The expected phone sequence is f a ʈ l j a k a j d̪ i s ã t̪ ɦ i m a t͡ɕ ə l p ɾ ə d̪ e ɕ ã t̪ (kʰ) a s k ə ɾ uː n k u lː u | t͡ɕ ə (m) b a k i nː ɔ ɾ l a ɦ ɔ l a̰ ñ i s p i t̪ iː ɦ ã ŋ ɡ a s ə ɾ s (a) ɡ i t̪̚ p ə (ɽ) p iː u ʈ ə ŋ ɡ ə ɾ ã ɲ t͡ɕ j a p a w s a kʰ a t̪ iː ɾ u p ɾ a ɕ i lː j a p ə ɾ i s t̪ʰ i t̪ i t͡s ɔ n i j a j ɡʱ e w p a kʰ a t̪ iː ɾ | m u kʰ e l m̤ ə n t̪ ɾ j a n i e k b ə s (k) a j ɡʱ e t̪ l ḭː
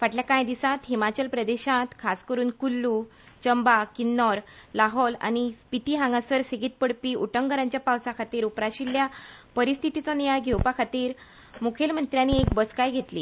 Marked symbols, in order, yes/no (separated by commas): yes, yes, no, yes, yes